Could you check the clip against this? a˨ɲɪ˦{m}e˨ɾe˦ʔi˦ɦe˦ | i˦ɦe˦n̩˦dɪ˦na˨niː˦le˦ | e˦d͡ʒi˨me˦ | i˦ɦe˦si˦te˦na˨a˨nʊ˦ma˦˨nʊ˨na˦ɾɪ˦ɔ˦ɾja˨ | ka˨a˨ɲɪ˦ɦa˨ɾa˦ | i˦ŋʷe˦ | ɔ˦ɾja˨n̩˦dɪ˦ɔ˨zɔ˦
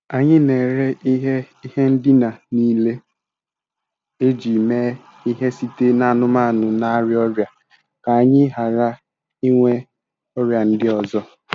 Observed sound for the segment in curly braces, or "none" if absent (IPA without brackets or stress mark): n